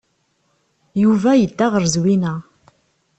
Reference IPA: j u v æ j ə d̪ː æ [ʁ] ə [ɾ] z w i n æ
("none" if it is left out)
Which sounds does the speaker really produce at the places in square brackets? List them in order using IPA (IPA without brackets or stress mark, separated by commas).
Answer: ʁ, ɾ